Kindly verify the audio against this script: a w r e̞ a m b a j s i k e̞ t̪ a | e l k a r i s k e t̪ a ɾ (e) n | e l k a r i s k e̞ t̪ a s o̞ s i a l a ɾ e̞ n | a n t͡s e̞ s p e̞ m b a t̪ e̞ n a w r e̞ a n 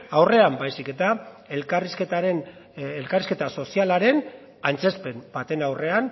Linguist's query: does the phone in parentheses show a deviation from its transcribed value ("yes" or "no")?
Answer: no